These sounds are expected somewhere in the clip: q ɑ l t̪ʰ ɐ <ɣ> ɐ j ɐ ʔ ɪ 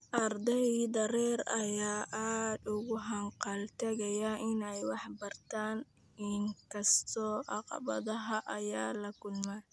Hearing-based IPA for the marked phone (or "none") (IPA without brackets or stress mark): ɣ